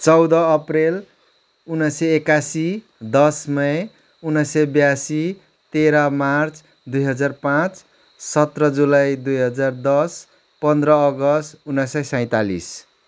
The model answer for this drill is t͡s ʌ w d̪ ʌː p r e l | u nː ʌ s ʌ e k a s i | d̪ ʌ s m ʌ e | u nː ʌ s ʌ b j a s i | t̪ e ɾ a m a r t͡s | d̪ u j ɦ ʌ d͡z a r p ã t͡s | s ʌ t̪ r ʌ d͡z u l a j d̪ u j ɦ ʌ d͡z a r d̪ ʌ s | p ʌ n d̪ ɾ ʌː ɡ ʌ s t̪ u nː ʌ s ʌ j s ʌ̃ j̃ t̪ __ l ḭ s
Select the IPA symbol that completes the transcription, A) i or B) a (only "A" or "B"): B